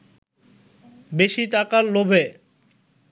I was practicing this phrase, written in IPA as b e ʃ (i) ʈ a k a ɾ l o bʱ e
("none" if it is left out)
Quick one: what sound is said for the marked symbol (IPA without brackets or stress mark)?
i